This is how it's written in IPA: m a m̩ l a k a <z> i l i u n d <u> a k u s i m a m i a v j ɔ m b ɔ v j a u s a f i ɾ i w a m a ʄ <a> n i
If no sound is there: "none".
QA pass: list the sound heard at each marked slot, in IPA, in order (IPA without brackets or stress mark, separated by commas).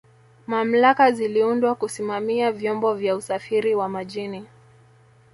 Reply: z, w, i